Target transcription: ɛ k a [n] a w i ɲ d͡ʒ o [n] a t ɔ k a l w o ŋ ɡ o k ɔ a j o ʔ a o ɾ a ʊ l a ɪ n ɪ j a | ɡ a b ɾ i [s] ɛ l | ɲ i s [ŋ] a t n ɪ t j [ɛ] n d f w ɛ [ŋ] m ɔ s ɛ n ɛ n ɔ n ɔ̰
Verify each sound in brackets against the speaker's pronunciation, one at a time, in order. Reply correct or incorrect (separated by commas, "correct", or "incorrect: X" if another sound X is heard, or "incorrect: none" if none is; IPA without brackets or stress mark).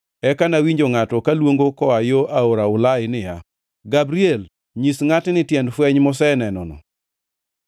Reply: correct, incorrect: ŋ, incorrect: none, correct, correct, incorrect: ɲ